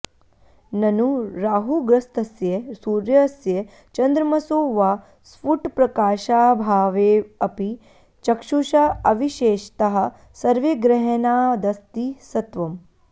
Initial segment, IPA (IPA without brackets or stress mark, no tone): n